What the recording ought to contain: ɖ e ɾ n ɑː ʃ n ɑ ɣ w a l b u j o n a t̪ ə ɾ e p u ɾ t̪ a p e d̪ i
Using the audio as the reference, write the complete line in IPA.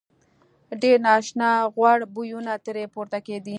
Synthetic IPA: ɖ e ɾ n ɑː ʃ n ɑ ɣ w a ɽ b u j u n a t̪ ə ɾ e p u ɾ t̪ a k e d̪ i